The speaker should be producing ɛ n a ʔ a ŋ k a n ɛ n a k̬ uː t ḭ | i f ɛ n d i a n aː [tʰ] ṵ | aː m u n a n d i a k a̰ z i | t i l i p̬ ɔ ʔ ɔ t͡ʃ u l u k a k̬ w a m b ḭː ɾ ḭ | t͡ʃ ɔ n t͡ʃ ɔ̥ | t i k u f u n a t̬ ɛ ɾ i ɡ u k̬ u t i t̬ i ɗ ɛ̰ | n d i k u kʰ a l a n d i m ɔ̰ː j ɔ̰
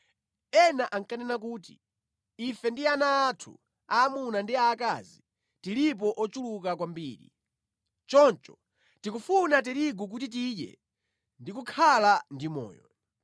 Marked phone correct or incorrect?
correct